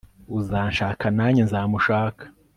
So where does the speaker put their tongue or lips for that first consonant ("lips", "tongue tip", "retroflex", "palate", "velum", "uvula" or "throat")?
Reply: tongue tip